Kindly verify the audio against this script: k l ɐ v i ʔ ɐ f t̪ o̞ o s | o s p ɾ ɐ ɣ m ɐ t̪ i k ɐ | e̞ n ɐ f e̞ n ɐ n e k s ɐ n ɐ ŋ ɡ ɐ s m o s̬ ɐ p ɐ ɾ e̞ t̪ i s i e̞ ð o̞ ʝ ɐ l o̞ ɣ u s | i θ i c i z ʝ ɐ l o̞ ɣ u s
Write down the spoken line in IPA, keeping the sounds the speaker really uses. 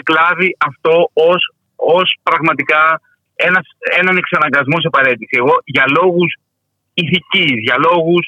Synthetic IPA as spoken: k l ɐ v i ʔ ɐ f t̪ o̞ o s | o s p ɾ ɐ ɣ m ɐ t̪ i k ɐ | e̞ n ɐ s e̞ n ɐ n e k s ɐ n ɐ ŋ ɡ ɐ z m o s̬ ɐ p ɐ ɾ e̞ t̪ i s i e̞ ɣ o̞ ʝ ɐ l o̞ ɣ u s | i θ i c i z ʝ ɐ l o̞ ɣ u s